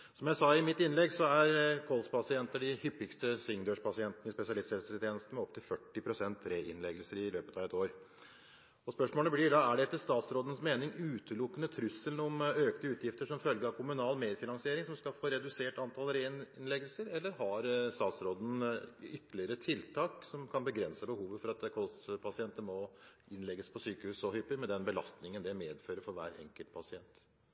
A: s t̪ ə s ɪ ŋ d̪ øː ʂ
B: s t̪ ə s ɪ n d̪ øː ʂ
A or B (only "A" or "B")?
A